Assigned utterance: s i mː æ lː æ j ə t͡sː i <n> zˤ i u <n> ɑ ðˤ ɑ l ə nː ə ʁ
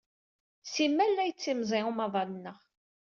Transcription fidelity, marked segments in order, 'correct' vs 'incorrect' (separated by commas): incorrect, incorrect